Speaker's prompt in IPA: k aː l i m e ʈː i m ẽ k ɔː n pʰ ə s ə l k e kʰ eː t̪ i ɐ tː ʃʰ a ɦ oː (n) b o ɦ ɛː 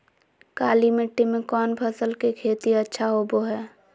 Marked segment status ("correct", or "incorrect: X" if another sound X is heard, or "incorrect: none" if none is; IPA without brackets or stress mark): incorrect: none